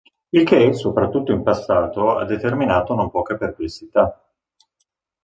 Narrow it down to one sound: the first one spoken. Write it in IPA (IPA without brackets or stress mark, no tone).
i